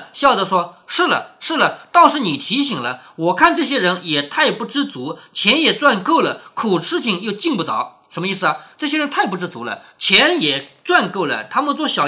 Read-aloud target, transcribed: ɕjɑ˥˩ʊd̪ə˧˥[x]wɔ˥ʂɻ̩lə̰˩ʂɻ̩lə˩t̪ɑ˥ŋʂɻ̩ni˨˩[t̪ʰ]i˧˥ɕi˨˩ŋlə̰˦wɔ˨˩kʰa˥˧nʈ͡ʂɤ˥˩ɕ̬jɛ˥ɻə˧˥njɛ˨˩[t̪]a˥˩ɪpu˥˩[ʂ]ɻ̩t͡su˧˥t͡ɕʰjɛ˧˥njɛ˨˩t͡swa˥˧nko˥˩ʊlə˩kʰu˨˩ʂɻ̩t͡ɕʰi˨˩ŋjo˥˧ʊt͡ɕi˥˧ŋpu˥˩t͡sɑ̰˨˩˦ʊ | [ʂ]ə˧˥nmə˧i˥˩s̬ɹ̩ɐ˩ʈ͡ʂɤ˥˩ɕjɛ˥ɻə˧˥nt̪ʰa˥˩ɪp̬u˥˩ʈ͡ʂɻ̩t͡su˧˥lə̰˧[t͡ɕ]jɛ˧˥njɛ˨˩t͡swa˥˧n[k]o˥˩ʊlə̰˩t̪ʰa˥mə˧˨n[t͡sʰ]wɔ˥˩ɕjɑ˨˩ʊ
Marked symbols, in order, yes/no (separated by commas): no, yes, no, no, yes, no, yes, no